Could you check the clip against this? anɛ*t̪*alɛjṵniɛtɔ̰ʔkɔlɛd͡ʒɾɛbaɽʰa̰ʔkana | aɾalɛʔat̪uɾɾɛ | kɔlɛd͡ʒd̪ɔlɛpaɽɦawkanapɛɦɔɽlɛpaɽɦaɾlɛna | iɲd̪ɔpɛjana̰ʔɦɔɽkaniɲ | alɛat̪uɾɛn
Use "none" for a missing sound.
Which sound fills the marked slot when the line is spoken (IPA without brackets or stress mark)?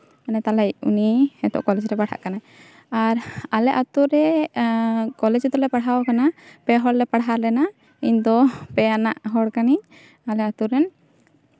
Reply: t̪